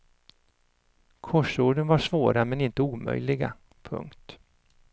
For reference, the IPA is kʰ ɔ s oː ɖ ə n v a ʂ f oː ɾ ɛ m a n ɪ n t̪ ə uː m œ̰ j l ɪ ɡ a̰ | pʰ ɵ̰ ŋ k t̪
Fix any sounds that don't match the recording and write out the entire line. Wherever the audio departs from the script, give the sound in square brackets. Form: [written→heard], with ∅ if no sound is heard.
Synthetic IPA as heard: kʰ ɔ [s→ʂ] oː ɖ ə n v a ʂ [f→v] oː ɾ [ɛ→a] m [a→ɛ] n ɪ n t̪ ə uː m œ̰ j l ɪ ɡ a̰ | pʰ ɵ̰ ŋ k t̪